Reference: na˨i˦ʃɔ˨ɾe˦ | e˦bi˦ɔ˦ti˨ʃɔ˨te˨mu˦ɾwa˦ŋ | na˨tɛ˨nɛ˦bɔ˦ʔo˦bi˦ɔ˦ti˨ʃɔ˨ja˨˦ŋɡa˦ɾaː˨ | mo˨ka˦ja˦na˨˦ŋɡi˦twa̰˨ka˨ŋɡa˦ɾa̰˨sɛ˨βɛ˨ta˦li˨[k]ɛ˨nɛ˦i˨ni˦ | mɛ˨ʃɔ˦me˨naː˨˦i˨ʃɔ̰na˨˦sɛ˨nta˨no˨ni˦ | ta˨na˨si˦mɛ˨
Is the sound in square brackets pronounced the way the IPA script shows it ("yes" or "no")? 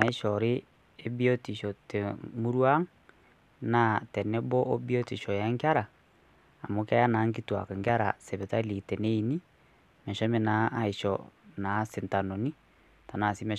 no